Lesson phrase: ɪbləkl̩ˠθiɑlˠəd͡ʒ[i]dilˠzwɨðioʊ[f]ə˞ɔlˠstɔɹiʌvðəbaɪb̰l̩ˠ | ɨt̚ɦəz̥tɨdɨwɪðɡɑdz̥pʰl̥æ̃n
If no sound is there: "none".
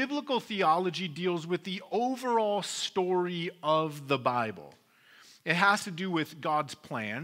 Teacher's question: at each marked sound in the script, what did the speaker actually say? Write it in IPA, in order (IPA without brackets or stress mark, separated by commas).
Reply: i, v